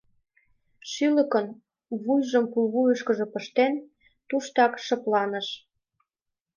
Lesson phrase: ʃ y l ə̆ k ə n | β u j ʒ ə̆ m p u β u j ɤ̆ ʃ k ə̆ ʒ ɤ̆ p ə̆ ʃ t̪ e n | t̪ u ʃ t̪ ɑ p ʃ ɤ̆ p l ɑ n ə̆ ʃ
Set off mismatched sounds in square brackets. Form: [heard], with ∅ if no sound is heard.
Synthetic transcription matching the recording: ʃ y l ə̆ k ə n | β u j ʒ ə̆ m p u β u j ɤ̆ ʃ k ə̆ ʒ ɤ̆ p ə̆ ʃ t̪ e n | t̪ u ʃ t̪ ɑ [k] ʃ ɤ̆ p l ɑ n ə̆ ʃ